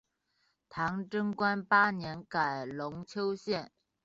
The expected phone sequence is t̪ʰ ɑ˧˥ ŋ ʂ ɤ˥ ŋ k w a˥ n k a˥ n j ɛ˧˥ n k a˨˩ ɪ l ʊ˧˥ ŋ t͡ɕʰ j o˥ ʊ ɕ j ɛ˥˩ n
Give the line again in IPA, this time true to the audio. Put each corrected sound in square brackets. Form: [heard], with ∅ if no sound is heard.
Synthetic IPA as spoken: t̪ʰ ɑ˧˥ ŋ [ʈ͡ʂ] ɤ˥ ŋ k w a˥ n [p] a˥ n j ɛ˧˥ n k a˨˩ ɪ l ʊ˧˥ ŋ t͡ɕʰ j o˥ ʊ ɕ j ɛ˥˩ n